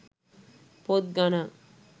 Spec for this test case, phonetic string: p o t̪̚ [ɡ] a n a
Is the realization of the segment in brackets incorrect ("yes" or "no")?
no